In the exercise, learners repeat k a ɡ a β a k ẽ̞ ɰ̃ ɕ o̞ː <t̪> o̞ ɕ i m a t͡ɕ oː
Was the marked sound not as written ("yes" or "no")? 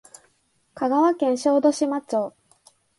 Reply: yes